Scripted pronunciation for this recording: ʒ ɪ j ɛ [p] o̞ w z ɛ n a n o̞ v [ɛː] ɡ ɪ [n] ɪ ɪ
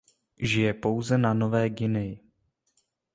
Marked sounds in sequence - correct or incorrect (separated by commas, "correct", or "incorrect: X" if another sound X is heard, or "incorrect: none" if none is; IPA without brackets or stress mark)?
correct, correct, correct